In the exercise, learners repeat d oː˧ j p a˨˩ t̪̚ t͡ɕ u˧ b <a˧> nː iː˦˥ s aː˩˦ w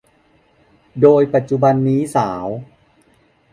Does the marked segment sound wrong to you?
no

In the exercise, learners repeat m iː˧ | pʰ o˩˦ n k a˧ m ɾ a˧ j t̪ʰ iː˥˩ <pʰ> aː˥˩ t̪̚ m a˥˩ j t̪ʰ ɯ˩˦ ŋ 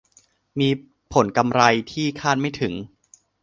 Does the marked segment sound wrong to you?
yes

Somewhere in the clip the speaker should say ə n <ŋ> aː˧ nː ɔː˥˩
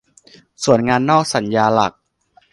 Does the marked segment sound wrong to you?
no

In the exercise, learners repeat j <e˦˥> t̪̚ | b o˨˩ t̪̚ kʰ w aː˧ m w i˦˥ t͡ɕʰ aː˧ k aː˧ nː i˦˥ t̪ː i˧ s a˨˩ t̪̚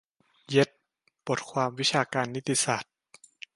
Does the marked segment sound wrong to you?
no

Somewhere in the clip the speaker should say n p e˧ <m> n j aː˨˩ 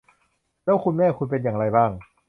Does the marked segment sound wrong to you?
yes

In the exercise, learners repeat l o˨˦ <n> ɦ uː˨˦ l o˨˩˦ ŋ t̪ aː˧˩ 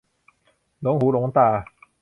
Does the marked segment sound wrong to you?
yes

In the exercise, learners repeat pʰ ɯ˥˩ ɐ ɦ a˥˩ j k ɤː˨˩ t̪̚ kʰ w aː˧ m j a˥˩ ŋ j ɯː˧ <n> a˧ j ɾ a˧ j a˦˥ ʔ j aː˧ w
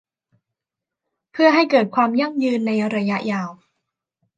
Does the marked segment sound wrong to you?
yes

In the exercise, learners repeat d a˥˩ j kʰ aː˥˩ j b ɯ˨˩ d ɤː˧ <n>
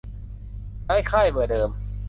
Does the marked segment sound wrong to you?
yes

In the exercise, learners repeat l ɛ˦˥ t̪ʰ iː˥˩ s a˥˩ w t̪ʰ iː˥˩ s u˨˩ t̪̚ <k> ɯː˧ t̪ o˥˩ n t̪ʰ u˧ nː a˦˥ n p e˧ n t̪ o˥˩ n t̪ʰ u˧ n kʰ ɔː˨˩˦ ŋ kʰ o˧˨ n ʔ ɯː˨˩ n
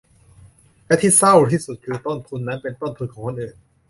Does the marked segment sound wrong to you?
yes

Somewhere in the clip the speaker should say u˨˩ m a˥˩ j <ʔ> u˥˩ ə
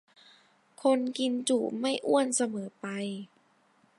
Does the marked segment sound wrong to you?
no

